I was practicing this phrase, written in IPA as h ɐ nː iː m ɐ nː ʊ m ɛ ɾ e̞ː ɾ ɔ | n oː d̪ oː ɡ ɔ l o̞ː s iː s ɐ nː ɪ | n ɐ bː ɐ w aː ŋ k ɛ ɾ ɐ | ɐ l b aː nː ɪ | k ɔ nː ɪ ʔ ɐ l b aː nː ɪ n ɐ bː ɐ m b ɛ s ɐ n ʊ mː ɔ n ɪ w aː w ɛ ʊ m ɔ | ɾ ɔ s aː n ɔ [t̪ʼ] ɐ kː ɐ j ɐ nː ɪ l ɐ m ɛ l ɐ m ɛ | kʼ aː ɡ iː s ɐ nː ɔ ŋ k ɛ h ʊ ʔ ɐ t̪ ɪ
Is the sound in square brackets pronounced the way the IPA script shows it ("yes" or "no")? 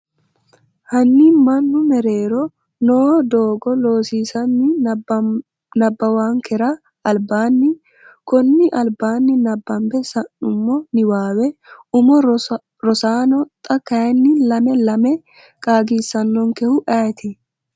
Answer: yes